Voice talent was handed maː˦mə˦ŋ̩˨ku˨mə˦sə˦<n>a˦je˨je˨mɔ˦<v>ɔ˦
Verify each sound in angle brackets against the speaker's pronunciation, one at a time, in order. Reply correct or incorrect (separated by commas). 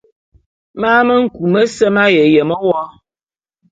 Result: incorrect, incorrect